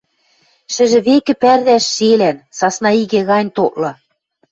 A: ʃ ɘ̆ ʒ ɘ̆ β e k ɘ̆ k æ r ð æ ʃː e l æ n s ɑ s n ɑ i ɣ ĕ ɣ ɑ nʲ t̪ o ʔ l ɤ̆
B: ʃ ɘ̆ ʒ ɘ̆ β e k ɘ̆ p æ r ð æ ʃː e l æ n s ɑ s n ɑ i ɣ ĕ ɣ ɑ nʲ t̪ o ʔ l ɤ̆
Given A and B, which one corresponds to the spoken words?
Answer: B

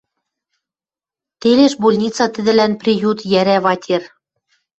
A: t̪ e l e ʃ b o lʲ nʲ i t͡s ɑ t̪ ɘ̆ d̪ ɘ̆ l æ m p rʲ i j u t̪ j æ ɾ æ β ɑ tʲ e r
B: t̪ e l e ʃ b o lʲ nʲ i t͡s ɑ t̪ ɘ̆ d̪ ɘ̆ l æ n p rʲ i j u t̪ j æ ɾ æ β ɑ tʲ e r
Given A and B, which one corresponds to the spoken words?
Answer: B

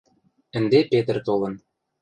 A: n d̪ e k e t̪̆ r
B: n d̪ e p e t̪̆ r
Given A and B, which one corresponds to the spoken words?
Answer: B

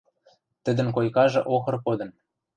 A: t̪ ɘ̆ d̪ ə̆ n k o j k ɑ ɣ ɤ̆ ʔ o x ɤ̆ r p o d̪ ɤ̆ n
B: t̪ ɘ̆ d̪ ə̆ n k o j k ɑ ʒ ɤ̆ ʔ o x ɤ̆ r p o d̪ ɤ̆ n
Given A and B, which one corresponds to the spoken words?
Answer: B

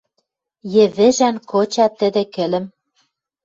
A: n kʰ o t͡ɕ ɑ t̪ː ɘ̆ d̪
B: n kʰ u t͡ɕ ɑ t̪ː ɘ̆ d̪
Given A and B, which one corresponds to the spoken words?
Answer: A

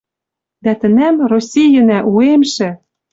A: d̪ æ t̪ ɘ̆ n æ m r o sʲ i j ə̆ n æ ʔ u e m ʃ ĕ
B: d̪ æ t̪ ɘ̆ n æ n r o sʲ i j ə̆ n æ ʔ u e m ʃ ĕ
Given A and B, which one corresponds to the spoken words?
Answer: A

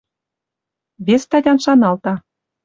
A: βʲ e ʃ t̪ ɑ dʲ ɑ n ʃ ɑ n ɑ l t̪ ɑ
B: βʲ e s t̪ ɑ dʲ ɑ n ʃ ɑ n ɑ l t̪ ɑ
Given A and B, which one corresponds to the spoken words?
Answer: B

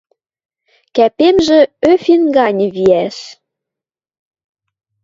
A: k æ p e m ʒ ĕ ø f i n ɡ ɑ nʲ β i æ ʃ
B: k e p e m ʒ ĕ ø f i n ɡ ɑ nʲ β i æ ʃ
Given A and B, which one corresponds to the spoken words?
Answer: A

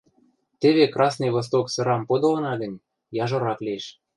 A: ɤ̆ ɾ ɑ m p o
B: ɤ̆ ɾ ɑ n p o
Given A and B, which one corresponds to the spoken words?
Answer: A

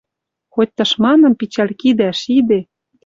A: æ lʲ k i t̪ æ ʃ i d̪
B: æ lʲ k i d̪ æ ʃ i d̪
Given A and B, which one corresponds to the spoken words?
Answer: B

